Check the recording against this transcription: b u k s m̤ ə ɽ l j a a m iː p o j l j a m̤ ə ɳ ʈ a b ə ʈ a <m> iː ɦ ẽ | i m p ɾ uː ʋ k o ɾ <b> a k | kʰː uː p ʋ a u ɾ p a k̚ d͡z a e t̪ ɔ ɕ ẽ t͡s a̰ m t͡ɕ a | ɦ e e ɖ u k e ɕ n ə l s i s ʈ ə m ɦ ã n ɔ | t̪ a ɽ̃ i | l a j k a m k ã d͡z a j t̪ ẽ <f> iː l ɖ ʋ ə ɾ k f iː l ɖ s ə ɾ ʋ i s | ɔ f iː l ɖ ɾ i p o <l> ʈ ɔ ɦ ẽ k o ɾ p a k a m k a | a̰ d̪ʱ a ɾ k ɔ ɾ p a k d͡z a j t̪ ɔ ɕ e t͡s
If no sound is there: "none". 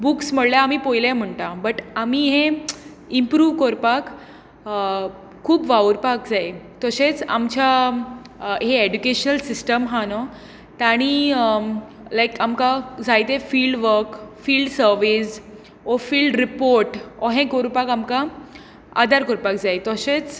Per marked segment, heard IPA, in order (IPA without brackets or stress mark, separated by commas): m, p, f, ɾ